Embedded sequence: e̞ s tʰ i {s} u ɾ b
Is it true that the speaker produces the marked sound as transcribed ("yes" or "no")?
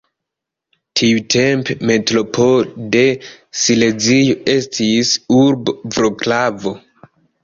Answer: yes